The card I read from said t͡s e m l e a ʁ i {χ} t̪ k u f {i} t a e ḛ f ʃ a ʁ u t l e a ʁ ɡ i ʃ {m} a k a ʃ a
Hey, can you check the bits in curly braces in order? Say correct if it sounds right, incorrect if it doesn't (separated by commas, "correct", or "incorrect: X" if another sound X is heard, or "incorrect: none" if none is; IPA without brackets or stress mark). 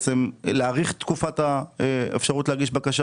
correct, incorrect: a, incorrect: b